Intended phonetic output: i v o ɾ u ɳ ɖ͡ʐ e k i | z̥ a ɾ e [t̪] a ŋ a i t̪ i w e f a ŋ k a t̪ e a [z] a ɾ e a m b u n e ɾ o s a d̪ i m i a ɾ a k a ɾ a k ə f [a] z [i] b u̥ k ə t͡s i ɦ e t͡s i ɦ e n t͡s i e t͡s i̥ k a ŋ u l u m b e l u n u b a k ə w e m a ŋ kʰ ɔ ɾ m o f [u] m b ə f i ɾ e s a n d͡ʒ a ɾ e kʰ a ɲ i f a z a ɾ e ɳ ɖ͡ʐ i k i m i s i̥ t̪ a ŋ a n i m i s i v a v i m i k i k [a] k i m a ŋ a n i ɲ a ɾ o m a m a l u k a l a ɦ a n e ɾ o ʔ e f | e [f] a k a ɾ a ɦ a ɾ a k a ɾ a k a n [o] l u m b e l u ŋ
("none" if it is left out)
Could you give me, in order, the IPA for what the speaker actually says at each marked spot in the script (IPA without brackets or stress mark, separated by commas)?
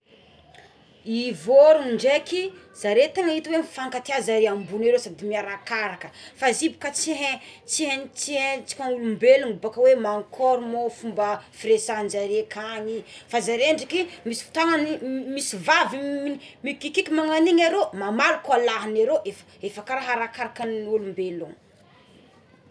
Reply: t̪, z, a, i, u, i, f, u